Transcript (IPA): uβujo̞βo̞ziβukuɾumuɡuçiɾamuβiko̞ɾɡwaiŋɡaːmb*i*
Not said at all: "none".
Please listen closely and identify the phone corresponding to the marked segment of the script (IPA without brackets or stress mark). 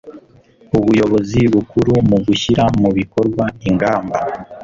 a